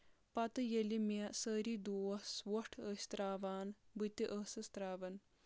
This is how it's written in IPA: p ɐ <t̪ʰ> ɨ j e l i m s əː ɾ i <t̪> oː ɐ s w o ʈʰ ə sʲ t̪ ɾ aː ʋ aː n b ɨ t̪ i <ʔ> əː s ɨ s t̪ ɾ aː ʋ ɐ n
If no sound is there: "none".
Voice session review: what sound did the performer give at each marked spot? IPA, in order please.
t̪, d̪, ʔ

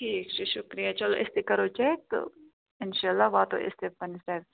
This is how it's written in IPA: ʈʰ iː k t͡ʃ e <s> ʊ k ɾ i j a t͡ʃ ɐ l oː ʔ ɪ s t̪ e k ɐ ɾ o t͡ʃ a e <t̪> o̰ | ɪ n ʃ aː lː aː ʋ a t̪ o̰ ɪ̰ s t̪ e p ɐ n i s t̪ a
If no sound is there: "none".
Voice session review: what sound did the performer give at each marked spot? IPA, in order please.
ʃ, t̪

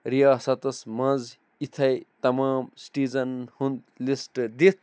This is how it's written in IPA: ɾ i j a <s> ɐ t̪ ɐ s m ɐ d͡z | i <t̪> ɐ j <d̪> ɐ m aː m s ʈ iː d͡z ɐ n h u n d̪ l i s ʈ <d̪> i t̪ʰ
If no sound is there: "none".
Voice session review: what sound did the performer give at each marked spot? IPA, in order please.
s, t̪ʰ, t̪, d̪

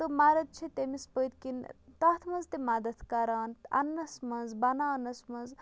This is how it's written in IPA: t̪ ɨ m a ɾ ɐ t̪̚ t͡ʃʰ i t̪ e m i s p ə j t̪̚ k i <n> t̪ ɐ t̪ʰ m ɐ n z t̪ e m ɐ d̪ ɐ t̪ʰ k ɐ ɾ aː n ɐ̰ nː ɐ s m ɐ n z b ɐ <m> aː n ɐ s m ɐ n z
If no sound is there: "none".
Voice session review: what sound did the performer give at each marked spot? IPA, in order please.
n, n

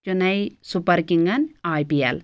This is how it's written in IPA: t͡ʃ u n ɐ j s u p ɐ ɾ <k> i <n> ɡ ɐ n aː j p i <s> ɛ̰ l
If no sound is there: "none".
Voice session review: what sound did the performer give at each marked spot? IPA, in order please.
k, ŋ, none

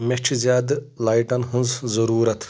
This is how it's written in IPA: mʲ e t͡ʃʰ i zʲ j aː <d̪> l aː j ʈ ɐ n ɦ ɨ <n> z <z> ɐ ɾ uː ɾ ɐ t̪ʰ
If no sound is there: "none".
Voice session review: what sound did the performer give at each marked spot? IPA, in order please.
d̪, n, z

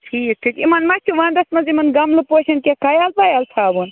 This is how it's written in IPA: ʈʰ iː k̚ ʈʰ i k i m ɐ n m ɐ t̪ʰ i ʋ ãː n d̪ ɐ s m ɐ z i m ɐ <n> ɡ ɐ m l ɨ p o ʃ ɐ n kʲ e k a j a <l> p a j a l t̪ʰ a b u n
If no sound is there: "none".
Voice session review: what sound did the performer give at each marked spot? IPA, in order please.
n, l

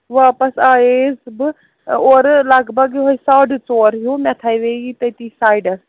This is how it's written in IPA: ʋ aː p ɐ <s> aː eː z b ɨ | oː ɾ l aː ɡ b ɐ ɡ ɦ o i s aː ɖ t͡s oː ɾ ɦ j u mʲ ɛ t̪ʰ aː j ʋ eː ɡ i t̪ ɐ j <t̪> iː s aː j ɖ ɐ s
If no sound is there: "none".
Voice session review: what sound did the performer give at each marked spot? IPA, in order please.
s, t̪

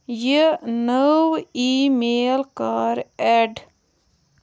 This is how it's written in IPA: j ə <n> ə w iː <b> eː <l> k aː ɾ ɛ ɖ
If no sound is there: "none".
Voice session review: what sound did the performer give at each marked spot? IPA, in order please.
n, m, l

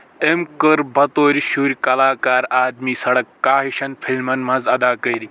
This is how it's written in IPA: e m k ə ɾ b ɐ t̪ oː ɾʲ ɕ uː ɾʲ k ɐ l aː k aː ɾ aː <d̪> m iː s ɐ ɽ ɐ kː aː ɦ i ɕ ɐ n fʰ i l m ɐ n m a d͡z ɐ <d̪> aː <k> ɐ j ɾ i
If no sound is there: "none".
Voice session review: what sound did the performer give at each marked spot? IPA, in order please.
d̪, d̪, k

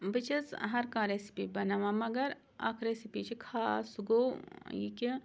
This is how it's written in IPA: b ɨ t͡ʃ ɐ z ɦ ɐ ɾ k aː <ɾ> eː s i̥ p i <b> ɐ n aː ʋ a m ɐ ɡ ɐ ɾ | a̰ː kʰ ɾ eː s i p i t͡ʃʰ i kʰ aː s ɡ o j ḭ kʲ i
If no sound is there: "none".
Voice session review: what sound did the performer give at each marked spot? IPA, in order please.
ɾ, b

